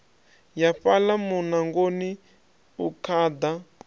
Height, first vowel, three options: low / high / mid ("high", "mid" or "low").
low